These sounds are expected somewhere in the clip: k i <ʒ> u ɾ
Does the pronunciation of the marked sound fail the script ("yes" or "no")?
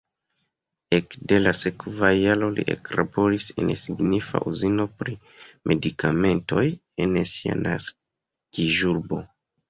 no